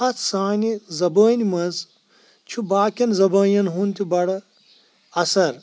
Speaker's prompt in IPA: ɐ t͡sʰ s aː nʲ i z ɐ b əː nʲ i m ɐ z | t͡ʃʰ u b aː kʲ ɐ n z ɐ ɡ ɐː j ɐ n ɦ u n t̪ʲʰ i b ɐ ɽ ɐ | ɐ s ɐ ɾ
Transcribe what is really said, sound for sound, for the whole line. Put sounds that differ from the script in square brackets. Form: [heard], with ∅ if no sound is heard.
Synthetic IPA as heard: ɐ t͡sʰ s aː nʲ i z ɐ b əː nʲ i m ɐ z | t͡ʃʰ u b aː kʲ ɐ n z ɐ [b] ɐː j ɐ n ɦ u n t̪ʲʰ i b ɐ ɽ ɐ | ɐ s ɐ ɾ